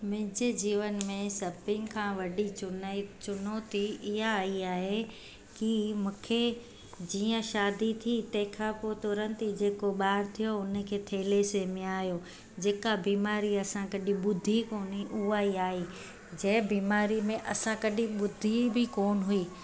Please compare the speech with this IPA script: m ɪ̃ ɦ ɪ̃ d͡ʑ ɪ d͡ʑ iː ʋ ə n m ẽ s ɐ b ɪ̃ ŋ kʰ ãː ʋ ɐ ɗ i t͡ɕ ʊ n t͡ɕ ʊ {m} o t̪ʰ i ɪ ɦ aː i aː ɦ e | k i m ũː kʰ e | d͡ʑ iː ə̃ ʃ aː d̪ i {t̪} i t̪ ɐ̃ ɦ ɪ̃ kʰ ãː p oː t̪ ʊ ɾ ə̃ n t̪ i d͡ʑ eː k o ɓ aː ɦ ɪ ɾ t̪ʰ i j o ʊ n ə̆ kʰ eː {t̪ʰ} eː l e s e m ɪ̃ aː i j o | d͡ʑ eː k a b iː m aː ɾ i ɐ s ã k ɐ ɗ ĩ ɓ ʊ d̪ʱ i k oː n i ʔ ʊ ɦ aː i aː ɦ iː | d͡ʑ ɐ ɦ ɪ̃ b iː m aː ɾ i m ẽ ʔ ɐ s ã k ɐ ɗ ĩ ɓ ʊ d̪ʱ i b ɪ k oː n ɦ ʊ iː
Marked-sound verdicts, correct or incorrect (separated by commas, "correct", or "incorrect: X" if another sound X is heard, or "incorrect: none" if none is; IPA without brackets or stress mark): incorrect: n, incorrect: t̪ʰ, correct